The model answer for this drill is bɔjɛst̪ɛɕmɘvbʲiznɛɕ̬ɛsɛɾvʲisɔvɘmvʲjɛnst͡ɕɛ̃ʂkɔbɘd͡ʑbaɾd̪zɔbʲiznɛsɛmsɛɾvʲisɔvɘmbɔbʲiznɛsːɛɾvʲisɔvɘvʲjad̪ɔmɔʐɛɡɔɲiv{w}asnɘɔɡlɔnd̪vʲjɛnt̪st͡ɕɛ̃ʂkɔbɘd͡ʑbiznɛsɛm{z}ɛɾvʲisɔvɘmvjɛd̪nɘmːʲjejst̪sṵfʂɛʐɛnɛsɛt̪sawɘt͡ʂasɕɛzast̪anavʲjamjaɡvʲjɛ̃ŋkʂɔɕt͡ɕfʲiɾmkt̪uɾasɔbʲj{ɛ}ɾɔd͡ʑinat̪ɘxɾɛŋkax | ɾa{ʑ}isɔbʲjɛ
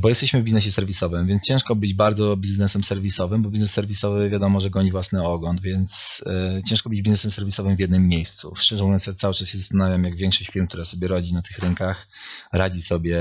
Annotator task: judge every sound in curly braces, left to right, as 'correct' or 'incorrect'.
correct, incorrect: s, correct, incorrect: d͡ʑ

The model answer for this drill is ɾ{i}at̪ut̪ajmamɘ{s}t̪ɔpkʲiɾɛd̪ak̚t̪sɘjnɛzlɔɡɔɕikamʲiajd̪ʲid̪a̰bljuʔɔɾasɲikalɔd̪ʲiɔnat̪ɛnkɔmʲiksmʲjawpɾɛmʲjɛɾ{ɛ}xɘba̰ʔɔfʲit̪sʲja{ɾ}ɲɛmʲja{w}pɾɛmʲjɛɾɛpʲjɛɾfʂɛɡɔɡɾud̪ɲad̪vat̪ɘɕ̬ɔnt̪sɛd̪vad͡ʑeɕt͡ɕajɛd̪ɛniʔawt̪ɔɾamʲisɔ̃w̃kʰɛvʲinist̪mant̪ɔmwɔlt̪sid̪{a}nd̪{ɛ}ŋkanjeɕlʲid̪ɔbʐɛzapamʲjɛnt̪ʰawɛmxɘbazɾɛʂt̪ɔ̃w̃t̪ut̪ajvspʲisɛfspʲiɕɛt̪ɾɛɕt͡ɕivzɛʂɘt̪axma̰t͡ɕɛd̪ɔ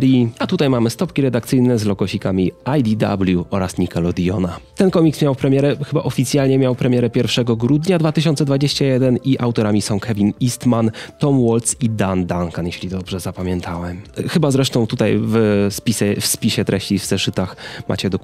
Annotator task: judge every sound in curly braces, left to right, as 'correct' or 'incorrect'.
correct, correct, correct, incorrect: l, correct, correct, incorrect: a

